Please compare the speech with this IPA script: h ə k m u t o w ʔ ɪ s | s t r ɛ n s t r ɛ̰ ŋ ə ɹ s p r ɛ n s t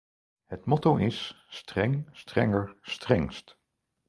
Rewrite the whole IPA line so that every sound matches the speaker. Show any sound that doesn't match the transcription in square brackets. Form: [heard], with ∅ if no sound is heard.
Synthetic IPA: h ə [t] m [ɔ] t o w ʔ ɪ s | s t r ɛ [ŋ] s t r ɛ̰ ŋ ə ɹ s [t] r ɛ [ŋ] s t